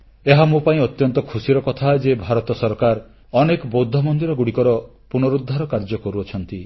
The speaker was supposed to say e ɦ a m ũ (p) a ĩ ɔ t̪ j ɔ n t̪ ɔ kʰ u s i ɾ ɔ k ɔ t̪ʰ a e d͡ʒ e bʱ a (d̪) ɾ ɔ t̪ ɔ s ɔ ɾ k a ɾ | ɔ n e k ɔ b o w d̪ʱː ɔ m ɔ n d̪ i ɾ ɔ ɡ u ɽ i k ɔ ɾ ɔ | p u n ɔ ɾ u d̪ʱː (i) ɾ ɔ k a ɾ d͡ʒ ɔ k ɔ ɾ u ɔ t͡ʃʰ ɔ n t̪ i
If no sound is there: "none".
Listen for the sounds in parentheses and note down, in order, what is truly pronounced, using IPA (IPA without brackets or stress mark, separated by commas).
p, none, a